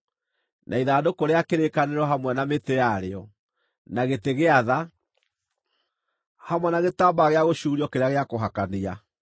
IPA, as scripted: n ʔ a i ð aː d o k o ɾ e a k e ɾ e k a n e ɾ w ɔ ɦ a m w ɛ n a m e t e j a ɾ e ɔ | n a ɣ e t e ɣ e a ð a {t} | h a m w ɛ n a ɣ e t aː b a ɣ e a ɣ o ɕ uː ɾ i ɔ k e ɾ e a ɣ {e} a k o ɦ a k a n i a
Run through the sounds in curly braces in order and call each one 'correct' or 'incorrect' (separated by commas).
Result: incorrect, correct